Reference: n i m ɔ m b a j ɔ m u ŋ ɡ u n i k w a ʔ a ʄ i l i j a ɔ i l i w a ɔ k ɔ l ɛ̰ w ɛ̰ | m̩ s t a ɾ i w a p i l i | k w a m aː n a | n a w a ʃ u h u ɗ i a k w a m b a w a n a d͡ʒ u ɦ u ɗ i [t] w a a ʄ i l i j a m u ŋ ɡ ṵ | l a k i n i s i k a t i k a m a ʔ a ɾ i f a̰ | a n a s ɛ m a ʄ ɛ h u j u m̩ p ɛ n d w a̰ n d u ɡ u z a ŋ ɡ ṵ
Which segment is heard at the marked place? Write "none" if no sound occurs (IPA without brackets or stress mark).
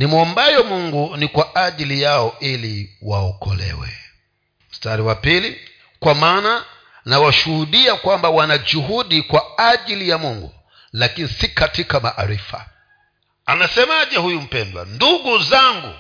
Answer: k